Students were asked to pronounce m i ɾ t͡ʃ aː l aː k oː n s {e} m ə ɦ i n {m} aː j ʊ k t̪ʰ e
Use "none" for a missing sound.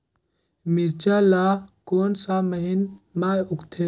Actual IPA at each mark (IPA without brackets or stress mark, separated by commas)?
a, m